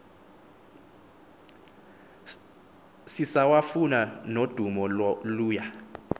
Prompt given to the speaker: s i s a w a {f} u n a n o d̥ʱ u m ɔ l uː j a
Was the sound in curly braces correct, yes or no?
yes